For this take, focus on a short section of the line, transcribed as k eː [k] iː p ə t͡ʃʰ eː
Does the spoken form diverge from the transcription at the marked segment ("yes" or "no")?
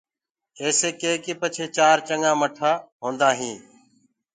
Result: no